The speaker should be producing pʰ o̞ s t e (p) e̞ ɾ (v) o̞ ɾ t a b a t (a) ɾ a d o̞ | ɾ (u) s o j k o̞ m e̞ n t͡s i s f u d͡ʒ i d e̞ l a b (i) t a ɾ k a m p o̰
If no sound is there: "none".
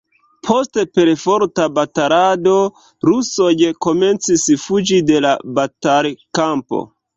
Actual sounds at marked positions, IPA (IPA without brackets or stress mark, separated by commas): p, f, a, u, a